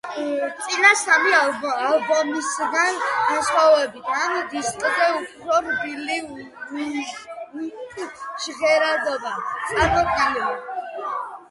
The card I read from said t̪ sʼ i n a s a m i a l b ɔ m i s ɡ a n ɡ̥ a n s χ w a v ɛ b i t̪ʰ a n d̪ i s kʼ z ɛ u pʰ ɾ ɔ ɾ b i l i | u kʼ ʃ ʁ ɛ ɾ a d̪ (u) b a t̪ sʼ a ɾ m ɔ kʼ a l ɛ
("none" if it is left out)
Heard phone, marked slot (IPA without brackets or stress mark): ɔ